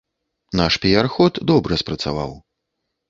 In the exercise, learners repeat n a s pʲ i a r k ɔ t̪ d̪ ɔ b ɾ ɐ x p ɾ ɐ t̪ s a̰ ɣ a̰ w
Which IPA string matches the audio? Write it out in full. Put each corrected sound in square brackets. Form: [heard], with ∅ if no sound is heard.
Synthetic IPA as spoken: n a [ʂ] pʲ i a r [x] ɔ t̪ d̪ ɔ b ɾ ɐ [s] p ɾ ɐ t̪ s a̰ [v] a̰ w